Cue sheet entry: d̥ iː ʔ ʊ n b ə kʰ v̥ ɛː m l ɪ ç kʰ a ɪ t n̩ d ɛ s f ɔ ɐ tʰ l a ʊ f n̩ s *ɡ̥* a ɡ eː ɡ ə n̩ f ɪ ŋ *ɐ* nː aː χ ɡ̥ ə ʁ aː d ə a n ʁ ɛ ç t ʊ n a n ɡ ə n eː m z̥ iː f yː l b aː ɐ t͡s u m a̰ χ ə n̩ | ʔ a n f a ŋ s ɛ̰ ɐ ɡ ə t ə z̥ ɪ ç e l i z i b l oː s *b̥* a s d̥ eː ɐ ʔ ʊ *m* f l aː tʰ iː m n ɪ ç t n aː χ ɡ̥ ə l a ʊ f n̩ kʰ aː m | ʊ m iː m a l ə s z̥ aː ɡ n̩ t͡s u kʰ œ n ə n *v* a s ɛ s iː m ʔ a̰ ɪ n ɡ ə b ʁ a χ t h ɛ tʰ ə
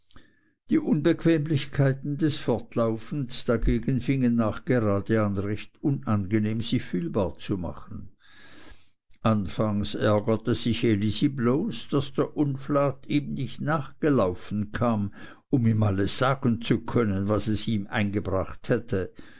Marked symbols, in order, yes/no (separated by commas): no, no, no, no, yes